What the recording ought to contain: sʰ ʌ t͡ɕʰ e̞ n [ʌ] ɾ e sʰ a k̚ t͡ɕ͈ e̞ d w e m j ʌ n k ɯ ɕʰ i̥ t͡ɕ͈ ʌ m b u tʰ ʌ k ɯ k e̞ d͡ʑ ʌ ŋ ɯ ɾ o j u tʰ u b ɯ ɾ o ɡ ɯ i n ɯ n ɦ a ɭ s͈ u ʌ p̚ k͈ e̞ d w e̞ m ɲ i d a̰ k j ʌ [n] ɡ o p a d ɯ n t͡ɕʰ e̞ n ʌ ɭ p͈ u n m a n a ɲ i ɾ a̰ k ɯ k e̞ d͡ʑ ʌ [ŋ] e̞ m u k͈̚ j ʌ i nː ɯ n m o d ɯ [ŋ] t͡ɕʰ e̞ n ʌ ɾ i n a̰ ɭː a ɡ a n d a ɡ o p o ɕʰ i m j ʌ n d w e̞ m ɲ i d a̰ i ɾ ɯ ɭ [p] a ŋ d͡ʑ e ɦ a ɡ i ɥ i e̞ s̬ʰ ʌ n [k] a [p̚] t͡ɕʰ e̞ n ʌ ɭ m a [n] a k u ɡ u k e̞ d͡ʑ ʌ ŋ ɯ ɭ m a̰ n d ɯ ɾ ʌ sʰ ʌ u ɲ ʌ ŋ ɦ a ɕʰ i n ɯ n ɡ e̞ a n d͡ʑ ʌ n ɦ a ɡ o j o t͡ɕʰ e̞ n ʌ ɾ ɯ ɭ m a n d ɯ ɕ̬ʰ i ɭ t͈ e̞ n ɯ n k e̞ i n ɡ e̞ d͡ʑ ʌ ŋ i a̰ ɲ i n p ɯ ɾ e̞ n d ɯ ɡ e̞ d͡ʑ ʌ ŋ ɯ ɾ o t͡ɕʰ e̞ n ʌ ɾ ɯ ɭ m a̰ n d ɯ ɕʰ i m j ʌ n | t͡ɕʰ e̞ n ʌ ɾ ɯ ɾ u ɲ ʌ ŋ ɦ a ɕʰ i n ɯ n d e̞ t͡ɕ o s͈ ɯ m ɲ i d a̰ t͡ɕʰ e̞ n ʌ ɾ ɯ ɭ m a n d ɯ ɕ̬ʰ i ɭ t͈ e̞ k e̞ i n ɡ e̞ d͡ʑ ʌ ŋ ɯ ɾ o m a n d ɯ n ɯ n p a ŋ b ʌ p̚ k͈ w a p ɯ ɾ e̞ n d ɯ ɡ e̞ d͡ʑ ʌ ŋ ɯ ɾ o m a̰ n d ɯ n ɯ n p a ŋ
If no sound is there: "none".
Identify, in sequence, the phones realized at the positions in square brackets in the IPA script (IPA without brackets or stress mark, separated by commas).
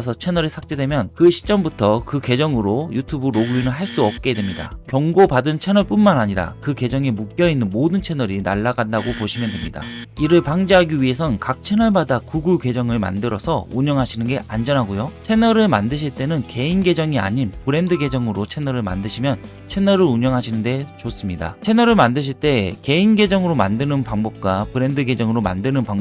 ʌ, ŋ, ŋ, n, p, k, k̚, d